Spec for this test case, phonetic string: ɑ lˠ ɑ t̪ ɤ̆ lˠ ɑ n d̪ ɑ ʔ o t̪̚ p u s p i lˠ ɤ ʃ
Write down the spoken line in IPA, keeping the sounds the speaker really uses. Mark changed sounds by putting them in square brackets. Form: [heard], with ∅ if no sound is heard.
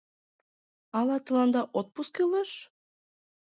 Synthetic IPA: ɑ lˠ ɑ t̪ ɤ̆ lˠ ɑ n d̪ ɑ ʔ o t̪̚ p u s [k] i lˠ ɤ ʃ